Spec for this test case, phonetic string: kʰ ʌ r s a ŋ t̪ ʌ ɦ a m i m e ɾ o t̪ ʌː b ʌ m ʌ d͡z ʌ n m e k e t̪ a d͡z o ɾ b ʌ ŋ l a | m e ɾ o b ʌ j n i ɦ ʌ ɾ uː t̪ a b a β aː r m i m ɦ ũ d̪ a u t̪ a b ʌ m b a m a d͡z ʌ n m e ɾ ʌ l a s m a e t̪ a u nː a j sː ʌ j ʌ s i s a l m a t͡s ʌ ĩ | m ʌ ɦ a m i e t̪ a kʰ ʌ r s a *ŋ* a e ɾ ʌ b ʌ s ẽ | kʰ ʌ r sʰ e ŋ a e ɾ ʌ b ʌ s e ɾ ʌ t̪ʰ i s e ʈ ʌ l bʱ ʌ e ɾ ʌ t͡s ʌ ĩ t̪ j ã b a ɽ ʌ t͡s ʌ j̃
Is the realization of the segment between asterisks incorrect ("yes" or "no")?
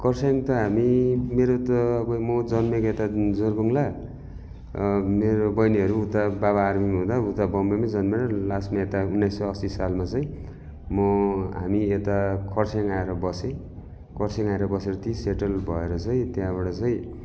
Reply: no